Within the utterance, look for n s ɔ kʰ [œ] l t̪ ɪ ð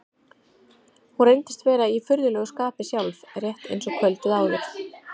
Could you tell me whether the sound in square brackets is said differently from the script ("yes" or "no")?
no